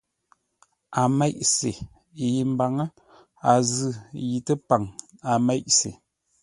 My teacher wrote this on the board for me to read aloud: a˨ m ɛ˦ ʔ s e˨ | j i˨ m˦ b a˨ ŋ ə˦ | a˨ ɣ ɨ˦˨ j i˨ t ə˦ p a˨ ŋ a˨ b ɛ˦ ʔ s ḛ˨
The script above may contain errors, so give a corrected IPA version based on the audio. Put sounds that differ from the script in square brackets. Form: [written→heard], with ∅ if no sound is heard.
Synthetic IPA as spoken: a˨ m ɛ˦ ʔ s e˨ | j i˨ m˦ b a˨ ŋ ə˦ | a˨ [ɣ→z] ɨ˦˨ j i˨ t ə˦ p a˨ ŋ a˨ [b→m] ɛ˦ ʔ s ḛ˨